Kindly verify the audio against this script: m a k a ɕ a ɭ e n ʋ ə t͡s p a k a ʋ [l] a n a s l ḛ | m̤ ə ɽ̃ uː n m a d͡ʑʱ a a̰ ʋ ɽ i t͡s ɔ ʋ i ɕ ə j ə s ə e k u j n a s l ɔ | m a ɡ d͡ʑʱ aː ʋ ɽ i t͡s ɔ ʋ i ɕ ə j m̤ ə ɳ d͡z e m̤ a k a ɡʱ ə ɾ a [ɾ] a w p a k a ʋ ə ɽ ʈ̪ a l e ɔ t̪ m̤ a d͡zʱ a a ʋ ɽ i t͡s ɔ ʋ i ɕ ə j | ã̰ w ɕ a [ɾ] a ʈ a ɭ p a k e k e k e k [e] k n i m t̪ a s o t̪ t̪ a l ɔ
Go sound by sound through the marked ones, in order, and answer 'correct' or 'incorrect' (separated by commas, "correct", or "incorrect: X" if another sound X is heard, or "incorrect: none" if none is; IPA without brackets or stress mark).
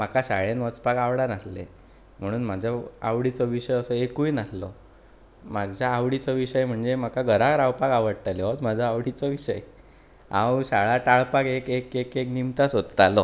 incorrect: ɽ, correct, incorrect: ɭ, correct